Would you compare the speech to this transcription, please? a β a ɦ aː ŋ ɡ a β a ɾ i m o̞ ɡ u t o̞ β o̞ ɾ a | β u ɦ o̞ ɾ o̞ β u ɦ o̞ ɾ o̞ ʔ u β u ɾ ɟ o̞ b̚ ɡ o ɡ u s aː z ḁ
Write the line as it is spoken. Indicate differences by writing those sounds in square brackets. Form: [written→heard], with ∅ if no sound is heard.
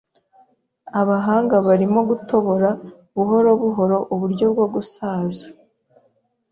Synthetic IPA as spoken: a β a ɦ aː ŋ ɡ a β a ɾ i m o̞ ɡ u t o̞ β o̞ ɾ a | β u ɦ o̞ ɾ o̞ β u ɦ o̞ ɾ o̞ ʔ u β u ɾ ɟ o̞ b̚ ɡ o ɡ u s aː z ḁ